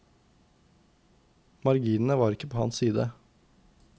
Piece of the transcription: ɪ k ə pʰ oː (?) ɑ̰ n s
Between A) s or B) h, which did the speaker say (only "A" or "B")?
B